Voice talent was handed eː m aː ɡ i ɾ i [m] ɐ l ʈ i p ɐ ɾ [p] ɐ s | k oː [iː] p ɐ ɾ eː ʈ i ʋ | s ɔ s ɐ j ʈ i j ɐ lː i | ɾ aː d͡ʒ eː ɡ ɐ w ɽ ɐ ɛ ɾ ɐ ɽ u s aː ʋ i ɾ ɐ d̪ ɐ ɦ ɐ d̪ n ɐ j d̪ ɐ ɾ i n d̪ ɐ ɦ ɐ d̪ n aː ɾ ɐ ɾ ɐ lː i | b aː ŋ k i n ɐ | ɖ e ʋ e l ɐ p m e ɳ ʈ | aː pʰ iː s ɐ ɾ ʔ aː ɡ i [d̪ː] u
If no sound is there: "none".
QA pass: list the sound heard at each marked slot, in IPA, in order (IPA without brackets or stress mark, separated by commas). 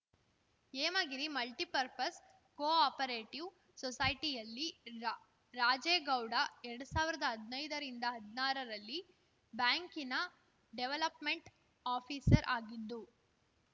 m, p, aː, d̪ː